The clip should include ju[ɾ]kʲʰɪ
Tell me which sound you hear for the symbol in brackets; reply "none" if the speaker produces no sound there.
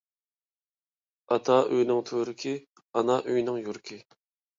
ɾ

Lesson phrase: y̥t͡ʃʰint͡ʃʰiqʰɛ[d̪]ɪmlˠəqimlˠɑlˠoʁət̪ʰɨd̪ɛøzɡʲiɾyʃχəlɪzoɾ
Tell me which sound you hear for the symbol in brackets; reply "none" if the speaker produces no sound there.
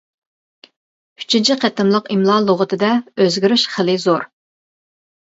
t̪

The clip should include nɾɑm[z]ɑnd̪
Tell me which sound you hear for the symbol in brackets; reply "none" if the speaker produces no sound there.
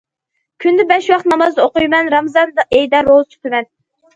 z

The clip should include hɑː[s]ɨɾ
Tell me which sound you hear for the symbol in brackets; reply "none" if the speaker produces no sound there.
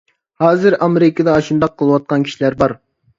z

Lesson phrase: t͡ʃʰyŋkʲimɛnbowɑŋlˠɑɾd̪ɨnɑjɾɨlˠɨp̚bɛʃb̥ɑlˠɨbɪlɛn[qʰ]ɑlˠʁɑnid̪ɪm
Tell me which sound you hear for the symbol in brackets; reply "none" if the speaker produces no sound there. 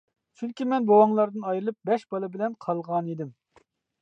qʰ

